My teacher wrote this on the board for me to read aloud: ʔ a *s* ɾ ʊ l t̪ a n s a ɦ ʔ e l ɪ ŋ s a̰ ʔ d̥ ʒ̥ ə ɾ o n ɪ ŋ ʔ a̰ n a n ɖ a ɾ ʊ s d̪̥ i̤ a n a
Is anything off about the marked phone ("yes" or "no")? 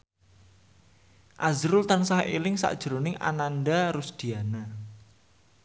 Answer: yes